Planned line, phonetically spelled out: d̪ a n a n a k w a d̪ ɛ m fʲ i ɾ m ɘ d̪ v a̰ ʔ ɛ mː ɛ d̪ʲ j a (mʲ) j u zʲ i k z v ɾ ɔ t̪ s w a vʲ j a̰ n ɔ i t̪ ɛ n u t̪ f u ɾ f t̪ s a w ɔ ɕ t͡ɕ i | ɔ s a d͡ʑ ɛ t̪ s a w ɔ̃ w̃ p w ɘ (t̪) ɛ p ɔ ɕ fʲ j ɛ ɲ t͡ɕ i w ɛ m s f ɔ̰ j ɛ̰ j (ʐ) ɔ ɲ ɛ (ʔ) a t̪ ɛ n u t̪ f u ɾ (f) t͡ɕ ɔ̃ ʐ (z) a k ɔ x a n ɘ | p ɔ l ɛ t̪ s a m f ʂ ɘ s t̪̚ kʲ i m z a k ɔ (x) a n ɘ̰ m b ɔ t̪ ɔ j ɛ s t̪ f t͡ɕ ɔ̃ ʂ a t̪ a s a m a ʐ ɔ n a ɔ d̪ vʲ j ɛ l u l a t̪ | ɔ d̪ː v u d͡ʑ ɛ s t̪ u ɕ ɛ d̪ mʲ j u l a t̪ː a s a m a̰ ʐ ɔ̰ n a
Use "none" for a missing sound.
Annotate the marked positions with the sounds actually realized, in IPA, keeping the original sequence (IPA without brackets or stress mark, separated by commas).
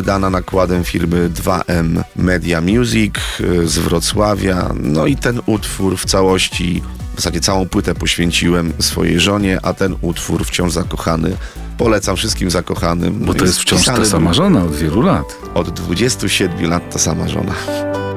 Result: mʲ, t̪, ʐ, ʔ, f, z, x